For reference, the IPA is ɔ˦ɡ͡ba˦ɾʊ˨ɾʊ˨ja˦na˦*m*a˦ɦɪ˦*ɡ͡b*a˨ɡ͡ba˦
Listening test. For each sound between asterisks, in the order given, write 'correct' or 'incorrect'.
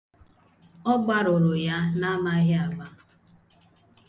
correct, incorrect

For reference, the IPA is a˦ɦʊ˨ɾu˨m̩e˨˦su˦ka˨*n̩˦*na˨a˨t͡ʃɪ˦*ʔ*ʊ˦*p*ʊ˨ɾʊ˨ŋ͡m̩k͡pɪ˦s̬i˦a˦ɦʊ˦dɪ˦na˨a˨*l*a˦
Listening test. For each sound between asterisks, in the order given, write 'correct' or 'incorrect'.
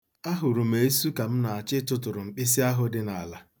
incorrect, incorrect, incorrect, correct

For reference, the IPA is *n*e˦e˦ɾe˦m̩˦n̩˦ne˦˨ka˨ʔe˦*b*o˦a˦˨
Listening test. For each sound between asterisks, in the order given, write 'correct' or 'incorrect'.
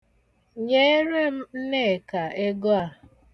incorrect, incorrect

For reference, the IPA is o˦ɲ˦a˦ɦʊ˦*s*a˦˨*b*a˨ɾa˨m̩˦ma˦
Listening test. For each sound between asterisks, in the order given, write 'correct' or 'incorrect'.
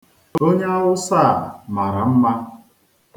correct, incorrect

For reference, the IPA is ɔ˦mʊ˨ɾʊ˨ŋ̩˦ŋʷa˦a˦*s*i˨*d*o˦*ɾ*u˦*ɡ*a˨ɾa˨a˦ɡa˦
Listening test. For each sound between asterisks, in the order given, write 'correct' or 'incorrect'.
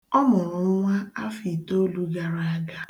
incorrect, incorrect, incorrect, correct

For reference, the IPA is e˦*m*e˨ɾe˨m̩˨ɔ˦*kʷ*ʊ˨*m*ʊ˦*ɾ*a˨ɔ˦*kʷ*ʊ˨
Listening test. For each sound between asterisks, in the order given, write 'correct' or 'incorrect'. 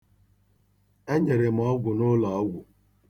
incorrect, incorrect, incorrect, incorrect, incorrect

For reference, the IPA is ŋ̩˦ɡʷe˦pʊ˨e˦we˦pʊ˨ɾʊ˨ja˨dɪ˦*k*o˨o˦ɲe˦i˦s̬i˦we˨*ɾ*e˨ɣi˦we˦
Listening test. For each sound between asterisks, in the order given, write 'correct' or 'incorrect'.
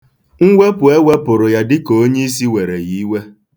correct, correct

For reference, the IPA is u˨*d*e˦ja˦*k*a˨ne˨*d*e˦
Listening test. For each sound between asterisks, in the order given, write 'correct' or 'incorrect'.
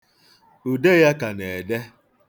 correct, correct, correct

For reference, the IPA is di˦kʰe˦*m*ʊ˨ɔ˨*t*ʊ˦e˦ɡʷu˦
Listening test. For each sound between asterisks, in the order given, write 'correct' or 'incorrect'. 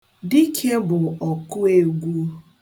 incorrect, incorrect

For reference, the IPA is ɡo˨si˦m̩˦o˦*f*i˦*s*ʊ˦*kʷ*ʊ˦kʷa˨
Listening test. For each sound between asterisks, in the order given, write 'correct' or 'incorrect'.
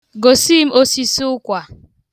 incorrect, correct, incorrect

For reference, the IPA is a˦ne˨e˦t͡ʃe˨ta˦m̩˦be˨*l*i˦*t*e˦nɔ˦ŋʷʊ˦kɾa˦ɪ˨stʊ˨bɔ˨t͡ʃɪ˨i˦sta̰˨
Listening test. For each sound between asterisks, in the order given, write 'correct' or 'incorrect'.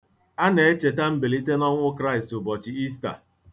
correct, correct

